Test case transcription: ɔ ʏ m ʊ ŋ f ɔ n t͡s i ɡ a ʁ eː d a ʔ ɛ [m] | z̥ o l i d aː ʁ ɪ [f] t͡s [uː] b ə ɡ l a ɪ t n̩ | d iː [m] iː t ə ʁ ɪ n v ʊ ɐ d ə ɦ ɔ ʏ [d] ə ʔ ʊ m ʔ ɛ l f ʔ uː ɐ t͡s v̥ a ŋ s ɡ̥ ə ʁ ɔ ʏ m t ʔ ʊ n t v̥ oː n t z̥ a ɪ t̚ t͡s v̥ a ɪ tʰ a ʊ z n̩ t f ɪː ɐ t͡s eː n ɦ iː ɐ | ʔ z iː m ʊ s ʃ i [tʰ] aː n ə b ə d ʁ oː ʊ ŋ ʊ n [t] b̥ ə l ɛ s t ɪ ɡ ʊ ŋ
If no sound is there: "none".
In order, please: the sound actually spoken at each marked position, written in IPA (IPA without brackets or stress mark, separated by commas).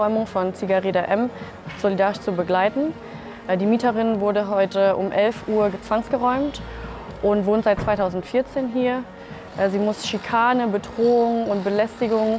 m, ʃ, u, m, t, kʰ, t